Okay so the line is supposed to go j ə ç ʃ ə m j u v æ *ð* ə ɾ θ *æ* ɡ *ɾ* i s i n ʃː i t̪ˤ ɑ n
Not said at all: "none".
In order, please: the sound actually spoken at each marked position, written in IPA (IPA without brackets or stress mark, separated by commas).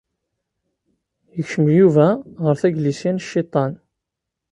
ʁ, æ, l